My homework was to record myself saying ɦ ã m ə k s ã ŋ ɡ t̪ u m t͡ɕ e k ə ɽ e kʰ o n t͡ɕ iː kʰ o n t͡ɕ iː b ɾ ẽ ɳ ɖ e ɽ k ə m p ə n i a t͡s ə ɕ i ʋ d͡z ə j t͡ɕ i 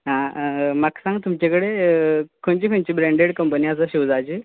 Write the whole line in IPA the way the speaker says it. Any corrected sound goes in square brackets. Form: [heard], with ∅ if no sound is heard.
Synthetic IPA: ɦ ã m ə k s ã ŋ ɡ t̪ u m t͡ɕ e k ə ɽ e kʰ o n t͡ɕ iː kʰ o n t͡ɕ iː b ɾ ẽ ɳ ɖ e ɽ k ə m p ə n i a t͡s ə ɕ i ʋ d͡z [a] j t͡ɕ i